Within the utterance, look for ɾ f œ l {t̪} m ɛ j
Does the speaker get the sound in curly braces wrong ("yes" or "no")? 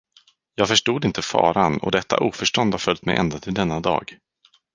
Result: no